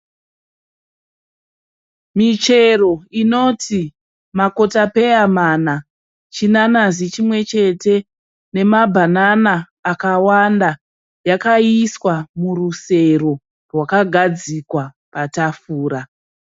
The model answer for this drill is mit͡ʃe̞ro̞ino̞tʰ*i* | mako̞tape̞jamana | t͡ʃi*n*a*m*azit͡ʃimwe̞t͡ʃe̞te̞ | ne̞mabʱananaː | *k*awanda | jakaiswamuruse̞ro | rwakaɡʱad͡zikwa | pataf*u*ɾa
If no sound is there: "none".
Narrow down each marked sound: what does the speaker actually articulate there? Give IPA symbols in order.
i, n, n, k, uː

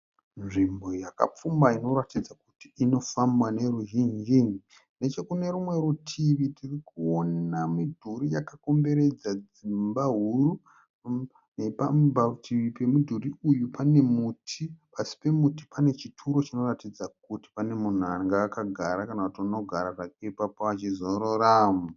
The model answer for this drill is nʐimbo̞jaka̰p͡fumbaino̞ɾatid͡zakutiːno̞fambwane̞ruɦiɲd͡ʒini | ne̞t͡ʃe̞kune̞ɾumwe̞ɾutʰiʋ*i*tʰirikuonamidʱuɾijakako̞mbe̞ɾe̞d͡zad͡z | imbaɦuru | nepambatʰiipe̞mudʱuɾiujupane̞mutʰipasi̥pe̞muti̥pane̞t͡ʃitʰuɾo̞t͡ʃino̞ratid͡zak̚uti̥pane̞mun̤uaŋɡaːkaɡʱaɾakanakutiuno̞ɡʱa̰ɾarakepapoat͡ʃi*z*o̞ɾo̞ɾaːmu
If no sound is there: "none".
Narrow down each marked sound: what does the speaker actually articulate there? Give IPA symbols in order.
i, z

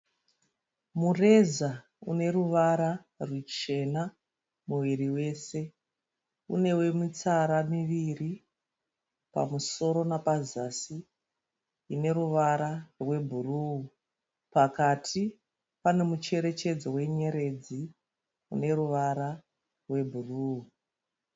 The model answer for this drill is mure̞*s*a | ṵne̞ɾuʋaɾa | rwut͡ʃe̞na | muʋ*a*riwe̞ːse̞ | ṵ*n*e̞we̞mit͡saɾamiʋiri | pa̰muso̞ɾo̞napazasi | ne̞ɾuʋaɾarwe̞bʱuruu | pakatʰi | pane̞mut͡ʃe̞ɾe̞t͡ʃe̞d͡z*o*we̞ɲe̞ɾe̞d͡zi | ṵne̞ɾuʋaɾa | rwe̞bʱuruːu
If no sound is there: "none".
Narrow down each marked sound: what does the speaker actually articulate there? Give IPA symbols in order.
z, i, n, o

